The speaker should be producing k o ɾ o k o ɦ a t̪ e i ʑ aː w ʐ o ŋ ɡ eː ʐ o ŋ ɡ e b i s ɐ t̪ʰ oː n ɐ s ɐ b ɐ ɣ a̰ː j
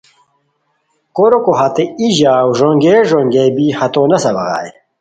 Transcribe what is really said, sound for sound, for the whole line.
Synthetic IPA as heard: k o ɾ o k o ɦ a t̪ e i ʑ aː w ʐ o ŋ ɡ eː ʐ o ŋ ɡ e b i h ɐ t̪ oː n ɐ s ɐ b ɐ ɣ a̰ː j